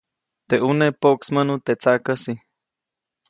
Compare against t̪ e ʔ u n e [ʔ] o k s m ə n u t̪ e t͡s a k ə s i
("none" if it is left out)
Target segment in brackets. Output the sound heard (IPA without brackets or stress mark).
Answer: p